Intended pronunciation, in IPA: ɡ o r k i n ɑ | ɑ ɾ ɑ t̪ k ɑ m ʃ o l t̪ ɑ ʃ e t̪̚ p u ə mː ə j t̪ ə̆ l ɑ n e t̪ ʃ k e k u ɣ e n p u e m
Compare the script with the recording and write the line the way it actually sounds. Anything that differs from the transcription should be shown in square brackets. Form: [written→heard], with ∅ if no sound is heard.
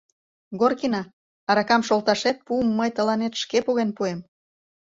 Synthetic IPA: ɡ o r k i n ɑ | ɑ ɾ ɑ [t̪→∅] k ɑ m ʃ o l t̪ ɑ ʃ e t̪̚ p u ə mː ə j t̪ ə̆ l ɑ n e t̪ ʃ k e [k→p] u ɣ e n p u e m